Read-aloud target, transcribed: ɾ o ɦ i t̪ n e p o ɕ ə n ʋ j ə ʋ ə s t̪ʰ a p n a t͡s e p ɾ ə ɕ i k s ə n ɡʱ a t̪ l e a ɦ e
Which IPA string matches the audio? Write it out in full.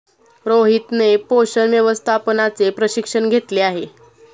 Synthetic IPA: ɾ o ɦ i t̪ n e p o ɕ ə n ʋ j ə ʋ ə s t̪ʰ a p n a t͡s e p ɾ ə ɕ i k ʂ ə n ɡʱ e t̪ l e a ɦ e